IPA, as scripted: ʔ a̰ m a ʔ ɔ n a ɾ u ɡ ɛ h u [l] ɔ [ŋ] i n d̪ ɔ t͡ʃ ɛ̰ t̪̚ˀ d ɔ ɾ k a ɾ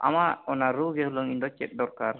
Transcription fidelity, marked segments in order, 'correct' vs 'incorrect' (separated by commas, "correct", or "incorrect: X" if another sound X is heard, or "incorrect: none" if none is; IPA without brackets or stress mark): correct, correct